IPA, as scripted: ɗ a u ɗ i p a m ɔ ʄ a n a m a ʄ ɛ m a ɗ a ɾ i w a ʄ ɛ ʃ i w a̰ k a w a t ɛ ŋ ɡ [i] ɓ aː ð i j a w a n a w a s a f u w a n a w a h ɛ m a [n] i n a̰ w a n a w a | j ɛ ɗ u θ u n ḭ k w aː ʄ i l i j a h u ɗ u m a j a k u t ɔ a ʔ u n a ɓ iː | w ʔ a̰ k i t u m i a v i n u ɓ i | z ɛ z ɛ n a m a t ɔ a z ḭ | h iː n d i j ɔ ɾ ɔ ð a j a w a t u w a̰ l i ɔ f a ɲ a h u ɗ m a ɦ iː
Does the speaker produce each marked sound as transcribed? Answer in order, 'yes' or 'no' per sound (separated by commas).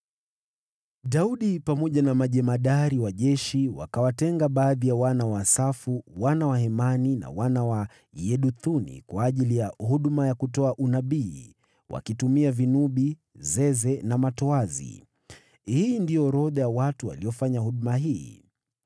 no, yes